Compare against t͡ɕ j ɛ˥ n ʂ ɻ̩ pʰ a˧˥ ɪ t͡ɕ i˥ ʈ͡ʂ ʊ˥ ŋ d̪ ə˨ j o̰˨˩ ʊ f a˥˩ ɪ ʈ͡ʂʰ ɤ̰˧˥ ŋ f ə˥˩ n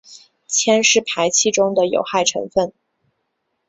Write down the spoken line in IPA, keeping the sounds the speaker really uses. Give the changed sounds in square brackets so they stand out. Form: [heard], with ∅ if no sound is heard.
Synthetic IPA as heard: [t͡ɕʰ] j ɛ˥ n ʂ ɻ̩ pʰ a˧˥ ɪ [t͡ɕʰ] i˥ ʈ͡ʂ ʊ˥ ŋ d̪ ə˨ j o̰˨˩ ʊ [x] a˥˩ ɪ ʈ͡ʂʰ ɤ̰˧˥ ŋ f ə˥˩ n